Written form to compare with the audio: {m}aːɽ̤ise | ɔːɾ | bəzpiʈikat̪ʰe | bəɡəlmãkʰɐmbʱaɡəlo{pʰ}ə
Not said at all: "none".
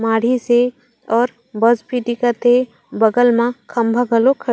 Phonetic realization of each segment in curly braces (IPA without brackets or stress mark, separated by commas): m, kʰ